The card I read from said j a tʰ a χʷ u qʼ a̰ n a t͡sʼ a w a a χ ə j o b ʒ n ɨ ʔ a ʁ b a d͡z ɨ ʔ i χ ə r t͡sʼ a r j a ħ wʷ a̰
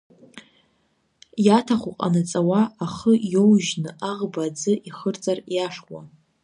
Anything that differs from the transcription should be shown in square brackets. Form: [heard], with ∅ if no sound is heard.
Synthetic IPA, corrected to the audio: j a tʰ a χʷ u qʼ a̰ n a t͡sʼ a w a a χ ə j o [w] ʒ n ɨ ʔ a ʁ b a d͡z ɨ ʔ i χ ə r t͡sʼ a r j a [ʂ] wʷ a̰